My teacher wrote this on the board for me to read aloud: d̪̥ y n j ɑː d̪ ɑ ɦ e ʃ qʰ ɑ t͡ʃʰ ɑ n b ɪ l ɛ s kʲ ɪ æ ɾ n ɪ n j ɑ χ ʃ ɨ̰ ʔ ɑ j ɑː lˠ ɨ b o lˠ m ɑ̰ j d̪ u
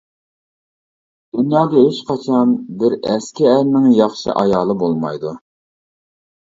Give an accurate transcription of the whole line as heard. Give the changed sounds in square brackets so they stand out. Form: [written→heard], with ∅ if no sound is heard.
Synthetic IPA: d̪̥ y n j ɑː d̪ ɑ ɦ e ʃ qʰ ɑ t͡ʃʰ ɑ n b ɪ [l→ɾ] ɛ s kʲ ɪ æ ɾ n ɪ [n→ŋ] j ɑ χ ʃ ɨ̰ ʔ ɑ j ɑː lˠ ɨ b o lˠ m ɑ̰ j d̪ u